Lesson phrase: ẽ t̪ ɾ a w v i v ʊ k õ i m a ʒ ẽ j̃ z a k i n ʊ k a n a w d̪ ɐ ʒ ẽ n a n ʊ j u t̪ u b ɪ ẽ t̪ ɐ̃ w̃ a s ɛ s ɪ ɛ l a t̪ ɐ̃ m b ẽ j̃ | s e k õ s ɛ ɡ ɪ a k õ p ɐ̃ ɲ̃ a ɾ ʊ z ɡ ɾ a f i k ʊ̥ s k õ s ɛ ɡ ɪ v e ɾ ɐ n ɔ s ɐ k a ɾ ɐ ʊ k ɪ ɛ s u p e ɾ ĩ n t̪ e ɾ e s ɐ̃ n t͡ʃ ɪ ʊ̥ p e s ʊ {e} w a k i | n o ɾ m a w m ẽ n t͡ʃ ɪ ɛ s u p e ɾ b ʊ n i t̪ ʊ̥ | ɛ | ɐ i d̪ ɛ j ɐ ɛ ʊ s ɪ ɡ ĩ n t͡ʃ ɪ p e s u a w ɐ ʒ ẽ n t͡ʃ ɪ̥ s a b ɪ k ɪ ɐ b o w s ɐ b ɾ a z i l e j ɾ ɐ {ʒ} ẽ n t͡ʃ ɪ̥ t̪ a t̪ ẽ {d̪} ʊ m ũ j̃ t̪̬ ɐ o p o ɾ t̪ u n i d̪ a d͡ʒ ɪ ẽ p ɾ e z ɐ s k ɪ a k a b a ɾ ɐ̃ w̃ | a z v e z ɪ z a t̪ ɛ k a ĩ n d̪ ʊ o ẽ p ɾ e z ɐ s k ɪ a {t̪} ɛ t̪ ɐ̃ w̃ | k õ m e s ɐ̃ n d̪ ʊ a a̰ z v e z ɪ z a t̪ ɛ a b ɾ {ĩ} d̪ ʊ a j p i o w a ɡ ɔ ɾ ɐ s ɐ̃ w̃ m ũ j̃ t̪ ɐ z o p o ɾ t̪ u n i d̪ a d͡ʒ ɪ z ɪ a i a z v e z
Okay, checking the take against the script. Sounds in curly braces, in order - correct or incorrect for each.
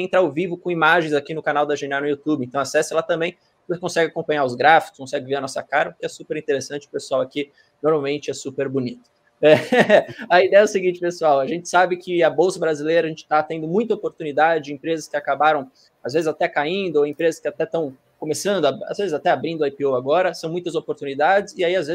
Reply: incorrect: a, correct, correct, correct, correct

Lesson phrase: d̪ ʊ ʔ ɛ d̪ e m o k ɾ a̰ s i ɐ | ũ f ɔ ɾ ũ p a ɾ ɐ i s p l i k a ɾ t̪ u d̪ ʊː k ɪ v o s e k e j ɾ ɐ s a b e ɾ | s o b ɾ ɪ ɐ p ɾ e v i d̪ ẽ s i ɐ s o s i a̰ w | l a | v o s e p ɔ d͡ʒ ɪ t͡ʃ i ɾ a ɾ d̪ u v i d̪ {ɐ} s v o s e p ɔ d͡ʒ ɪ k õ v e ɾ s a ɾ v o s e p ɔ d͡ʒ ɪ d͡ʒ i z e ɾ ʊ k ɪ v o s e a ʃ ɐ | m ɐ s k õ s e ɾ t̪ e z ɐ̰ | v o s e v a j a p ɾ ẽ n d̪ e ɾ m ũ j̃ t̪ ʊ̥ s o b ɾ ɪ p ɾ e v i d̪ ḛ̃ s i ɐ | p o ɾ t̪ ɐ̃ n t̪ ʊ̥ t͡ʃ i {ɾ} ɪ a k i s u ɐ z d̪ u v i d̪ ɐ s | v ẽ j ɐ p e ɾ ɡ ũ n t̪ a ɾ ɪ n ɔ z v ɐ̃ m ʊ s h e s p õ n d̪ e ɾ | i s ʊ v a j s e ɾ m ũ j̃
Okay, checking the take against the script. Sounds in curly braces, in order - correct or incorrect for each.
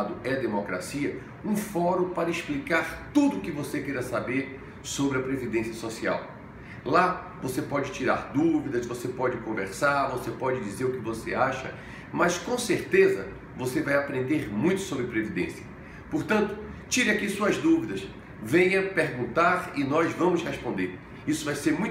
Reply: correct, correct

